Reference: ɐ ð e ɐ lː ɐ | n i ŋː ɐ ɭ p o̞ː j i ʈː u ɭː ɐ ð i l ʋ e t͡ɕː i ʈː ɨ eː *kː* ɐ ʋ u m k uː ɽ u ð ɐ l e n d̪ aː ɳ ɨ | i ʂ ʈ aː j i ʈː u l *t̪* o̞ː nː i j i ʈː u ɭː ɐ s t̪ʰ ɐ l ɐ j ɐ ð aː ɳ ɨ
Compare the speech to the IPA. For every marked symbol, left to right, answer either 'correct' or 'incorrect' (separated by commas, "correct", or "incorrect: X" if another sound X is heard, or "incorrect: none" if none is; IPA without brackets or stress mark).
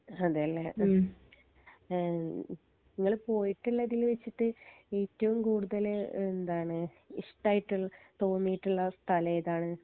incorrect: tː, correct